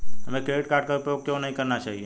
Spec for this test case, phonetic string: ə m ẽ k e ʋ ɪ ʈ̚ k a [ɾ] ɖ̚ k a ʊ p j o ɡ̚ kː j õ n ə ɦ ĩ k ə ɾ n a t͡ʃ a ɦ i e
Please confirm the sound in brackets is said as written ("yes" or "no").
yes